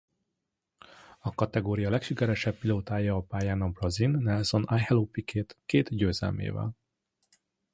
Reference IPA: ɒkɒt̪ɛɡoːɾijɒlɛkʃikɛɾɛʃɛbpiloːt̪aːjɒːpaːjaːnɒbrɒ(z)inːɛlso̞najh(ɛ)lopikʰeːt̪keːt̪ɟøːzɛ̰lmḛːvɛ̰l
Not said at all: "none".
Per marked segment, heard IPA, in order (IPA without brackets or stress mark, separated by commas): z, ɛ